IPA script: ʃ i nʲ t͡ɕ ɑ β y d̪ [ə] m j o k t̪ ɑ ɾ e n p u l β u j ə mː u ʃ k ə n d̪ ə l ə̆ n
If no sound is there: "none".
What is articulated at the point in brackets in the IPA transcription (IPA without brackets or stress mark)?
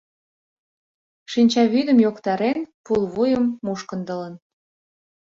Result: ə